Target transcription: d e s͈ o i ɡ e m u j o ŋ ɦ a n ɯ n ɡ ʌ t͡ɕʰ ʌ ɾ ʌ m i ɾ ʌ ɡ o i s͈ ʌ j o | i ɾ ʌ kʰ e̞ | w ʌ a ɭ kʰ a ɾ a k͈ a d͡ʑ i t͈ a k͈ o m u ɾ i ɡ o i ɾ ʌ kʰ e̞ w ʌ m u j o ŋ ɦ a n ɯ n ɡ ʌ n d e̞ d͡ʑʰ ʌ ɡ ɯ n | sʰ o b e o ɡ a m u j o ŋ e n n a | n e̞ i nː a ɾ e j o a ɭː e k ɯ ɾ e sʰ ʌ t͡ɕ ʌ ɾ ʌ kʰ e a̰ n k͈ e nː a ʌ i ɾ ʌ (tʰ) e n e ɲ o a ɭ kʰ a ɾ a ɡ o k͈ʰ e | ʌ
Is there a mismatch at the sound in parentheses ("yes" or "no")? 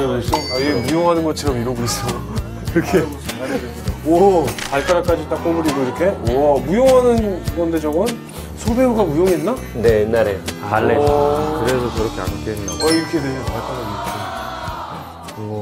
yes